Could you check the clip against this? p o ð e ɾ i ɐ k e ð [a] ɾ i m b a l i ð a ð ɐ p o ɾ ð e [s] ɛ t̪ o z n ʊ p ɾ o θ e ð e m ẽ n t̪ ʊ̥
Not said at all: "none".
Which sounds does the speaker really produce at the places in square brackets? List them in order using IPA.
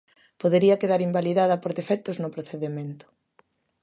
a, f

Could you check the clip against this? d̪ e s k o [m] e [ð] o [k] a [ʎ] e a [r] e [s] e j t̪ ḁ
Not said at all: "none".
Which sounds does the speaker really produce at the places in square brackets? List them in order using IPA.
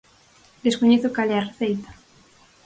ɲ, θ, k, l, r, θ

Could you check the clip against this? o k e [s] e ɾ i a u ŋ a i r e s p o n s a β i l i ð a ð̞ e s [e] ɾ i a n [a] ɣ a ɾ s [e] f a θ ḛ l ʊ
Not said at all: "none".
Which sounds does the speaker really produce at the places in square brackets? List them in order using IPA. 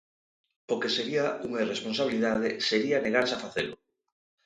s, e, e, a

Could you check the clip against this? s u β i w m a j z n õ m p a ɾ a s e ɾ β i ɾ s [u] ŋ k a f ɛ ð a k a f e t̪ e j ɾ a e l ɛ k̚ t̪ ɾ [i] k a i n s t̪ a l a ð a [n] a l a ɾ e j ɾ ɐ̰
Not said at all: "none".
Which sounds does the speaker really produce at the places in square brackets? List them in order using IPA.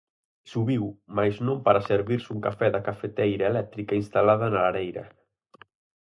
u, i, n

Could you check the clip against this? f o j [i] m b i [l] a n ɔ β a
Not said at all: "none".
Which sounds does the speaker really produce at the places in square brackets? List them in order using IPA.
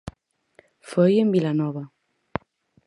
e, l

